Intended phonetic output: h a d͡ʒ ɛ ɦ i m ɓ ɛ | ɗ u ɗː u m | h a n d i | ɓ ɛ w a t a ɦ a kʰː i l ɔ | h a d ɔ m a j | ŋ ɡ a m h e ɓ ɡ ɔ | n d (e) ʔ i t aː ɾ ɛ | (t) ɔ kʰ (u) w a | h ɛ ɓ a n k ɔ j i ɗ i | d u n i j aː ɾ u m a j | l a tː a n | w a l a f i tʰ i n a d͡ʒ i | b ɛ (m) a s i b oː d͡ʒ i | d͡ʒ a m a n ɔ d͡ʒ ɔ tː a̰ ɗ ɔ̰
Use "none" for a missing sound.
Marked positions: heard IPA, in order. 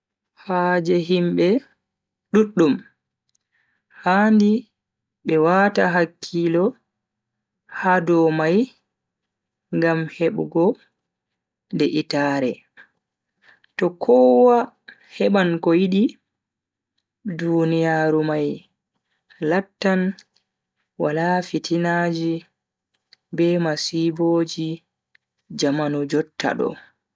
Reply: ɛ, t, ɔ, m

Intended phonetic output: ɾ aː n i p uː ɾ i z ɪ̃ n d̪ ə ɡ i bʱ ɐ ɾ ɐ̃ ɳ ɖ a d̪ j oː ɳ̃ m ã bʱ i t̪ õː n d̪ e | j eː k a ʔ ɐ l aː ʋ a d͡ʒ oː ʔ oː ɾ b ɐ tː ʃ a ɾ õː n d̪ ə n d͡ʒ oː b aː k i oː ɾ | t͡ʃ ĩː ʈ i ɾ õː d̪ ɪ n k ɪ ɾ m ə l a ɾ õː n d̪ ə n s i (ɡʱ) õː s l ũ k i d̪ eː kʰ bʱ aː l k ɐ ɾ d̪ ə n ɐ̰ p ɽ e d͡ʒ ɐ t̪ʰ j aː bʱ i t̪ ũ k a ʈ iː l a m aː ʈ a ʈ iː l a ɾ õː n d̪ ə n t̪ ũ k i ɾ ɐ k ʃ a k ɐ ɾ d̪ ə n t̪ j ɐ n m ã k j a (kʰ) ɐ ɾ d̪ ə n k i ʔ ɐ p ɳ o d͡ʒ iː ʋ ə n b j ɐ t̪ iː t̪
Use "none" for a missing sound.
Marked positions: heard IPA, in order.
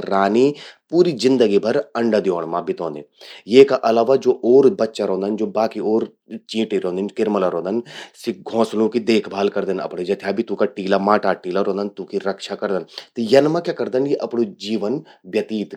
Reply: ɡʱ, k

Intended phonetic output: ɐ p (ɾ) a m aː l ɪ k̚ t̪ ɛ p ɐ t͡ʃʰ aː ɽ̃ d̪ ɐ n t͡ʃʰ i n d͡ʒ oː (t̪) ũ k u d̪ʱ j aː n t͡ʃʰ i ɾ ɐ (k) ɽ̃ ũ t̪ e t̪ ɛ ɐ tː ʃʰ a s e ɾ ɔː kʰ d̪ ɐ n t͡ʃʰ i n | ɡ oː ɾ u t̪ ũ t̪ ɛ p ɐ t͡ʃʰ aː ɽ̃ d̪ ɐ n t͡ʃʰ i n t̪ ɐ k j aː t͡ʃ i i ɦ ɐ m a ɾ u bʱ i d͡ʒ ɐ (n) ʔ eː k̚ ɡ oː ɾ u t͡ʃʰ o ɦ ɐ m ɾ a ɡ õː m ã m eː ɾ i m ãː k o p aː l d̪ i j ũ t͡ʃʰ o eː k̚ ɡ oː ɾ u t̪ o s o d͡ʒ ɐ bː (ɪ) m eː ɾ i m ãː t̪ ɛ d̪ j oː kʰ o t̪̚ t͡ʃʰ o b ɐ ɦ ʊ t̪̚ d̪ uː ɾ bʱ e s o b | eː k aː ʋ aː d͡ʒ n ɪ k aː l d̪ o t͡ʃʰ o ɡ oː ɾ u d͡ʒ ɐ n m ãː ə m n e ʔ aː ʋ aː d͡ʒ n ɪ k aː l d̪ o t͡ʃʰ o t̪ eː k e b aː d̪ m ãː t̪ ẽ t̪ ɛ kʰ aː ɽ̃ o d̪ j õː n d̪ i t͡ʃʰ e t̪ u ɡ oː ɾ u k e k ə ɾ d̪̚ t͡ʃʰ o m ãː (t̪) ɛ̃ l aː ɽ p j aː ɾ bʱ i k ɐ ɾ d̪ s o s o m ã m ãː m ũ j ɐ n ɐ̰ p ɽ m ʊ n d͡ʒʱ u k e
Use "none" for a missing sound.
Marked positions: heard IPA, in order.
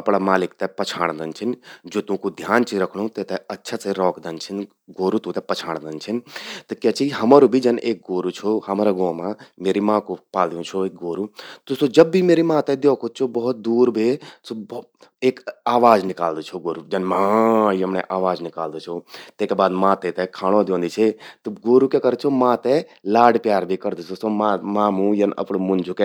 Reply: ɽ, t̪, kʰ, n, i, t̪

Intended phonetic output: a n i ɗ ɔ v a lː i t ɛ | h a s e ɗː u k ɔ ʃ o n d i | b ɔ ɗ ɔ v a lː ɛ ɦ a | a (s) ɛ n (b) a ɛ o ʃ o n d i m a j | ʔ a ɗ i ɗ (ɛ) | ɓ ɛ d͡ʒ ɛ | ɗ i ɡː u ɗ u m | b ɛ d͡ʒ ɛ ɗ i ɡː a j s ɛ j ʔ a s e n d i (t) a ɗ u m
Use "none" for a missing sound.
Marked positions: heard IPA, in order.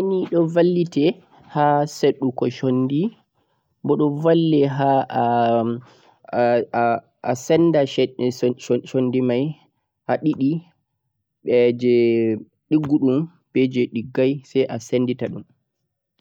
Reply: s, d, i, t

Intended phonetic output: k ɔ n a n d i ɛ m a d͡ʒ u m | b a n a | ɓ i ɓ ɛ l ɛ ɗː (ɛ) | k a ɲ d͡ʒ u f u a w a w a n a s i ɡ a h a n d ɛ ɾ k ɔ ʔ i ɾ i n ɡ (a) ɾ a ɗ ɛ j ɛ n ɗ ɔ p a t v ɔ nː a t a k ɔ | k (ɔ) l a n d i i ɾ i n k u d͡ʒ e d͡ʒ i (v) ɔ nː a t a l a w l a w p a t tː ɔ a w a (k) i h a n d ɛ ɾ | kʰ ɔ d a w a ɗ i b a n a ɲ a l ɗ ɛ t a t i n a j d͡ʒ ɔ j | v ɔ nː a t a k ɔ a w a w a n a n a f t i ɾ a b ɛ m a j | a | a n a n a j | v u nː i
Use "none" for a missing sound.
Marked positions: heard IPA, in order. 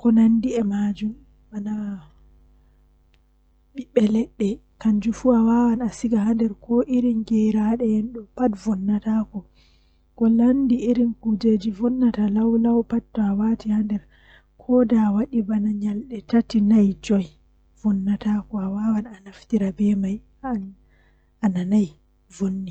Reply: ɛ, ɛ, ɔ, v, t

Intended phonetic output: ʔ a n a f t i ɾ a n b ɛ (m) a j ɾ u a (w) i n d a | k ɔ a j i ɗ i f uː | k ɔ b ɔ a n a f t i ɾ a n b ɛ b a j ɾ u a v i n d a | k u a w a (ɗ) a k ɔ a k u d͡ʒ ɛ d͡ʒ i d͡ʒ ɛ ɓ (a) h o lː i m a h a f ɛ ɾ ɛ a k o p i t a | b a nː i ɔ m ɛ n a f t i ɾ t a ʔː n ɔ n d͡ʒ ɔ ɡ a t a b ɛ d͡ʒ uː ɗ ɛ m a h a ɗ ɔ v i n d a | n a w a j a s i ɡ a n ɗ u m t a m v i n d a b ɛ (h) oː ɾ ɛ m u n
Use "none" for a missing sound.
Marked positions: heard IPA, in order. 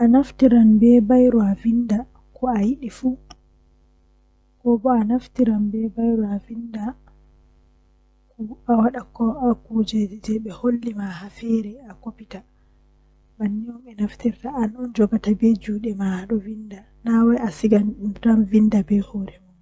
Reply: b, v, ɗ, ɛ, h

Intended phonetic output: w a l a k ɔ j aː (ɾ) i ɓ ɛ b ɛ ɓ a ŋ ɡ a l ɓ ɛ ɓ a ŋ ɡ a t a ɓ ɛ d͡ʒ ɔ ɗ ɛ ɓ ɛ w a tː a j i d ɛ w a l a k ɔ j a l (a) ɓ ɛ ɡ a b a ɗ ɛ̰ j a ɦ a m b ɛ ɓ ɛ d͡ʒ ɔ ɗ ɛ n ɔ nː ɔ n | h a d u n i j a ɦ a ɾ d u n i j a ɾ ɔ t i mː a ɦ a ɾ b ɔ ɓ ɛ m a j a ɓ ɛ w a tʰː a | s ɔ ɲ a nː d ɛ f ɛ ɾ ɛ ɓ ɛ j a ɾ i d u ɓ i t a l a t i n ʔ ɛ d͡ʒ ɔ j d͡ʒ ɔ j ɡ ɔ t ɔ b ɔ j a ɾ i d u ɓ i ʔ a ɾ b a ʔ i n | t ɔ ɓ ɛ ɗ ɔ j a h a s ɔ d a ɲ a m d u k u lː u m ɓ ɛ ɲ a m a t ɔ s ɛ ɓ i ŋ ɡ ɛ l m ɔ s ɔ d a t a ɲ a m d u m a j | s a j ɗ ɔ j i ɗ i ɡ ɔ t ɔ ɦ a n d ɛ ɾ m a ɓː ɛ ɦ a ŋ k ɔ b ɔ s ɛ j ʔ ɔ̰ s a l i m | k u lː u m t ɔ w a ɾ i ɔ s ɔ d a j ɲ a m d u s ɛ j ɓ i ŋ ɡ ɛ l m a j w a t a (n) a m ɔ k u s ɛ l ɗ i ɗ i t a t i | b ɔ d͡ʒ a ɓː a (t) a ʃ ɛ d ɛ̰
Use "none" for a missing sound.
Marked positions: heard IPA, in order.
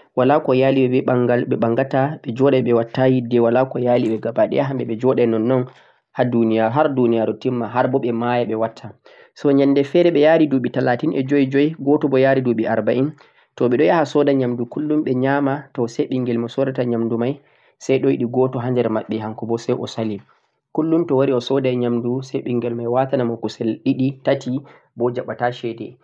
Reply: l, i, n, t

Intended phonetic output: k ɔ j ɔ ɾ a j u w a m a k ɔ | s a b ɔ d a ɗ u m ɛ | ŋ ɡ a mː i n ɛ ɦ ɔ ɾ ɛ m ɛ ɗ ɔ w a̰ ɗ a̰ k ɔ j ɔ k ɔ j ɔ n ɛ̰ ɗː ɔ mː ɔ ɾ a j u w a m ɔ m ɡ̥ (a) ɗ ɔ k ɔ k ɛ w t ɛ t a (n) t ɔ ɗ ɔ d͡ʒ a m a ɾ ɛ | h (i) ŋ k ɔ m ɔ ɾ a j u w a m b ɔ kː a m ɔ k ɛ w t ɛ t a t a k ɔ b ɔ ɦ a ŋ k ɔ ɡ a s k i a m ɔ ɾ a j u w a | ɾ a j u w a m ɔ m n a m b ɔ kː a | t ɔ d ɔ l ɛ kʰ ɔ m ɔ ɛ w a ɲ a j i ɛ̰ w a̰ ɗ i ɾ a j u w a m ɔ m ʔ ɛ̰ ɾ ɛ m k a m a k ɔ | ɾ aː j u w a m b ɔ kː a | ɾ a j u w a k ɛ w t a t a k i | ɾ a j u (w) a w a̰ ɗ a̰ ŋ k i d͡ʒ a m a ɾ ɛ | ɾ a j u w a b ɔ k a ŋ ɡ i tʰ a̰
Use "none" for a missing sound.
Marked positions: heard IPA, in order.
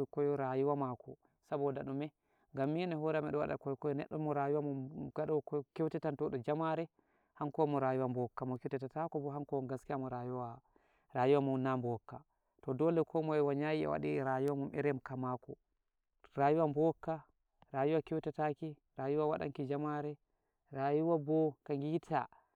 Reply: a, n, a, w

